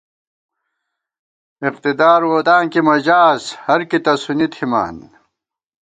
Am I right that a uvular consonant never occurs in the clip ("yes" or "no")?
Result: no